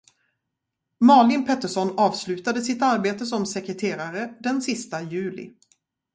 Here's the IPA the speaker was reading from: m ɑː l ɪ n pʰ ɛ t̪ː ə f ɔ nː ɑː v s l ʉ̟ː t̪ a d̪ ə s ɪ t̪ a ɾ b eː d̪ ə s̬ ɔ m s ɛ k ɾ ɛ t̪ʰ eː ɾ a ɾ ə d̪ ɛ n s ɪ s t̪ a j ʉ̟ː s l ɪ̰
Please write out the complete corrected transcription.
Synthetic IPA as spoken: m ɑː l ɪ n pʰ ɛ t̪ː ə ʂ ɔ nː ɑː v s l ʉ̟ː t̪ a d̪ ə s ɪ t̪ a ɾ b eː t̪ ə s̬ ɔ m s ɛ k ɾ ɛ t̪ʰ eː ɾ a ɾ ə d̪ ɛ n s ɪ s t̪ a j ʉ̟ː l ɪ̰